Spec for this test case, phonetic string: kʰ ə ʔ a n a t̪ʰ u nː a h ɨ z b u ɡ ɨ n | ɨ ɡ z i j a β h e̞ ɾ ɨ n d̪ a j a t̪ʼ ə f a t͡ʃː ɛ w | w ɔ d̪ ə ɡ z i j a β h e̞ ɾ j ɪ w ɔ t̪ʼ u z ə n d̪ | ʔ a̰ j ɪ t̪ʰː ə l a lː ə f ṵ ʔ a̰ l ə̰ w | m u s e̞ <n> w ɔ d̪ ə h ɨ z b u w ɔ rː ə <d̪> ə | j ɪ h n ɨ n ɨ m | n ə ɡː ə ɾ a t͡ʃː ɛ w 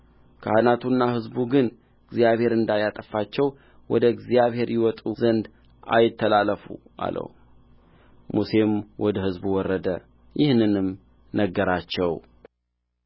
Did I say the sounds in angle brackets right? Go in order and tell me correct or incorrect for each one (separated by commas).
incorrect, correct